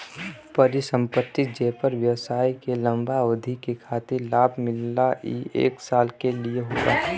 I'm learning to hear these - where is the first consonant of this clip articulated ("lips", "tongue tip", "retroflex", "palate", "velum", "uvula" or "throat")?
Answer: lips